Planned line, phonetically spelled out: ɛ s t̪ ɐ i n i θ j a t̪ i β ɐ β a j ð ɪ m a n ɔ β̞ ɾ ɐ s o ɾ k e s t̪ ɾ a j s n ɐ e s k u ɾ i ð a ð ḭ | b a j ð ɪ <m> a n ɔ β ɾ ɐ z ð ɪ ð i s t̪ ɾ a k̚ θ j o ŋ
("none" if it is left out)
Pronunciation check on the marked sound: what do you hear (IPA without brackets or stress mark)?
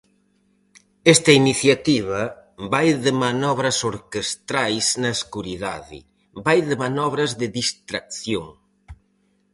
m